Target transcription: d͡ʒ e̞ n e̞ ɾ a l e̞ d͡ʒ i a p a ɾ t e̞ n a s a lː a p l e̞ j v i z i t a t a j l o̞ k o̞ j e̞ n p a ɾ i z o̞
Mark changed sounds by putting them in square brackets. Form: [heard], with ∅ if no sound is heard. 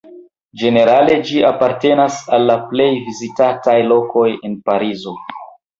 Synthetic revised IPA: d͡ʒ e̞ n e̞ ɾ a l e̞ d͡ʒ i a p a ɾ t e̞ n a s a lː a p l e̞ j v i z i t a t a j l o̞ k o̞ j e̞ n p a ɾ i z o̞